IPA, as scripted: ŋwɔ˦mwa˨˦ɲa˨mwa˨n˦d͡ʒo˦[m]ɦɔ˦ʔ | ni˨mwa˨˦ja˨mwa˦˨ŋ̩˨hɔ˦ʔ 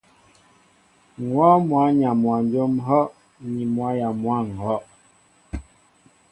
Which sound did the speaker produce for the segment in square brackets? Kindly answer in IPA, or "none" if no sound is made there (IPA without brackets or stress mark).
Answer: m